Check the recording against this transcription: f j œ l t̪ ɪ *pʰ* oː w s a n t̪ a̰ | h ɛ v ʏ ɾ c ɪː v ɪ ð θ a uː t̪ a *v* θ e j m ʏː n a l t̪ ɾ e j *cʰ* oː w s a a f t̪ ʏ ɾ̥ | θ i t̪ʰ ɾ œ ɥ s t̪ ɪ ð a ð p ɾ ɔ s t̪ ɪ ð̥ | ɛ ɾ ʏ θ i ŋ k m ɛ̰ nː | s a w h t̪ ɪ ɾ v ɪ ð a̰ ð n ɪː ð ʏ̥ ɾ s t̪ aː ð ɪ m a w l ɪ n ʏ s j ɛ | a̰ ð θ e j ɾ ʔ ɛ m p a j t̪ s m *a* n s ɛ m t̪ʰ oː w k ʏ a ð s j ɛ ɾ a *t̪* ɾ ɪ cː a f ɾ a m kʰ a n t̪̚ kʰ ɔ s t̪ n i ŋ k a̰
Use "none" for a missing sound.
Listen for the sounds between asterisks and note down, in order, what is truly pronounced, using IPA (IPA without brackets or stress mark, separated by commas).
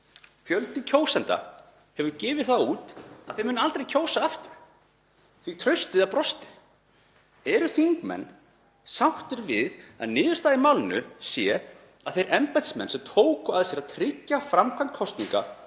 cʰ, ð, cʰ, ɛ, t̪ʰ